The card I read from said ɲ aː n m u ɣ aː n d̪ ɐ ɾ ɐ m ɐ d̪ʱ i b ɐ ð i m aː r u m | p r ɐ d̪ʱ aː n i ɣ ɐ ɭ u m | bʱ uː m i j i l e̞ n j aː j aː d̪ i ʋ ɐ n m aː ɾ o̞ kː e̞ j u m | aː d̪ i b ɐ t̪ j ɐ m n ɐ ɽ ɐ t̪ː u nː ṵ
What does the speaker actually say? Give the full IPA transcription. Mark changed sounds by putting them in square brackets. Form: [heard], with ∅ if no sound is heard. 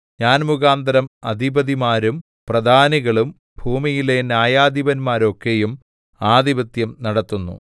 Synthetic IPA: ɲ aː n m u ɣ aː n d̪ ɐ ɾ ɐ m ɐ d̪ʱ i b ɐ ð i m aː [ɾ] u m | p r ɐ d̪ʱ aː n i ɣ ɐ ɭ u m | bʱ uː m i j i l e̞ n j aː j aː d̪ i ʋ ɐ n m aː ɾ o̞ kː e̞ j u m | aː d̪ i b ɐ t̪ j ɐ m n ɐ ɽ ɐ t̪ː u nː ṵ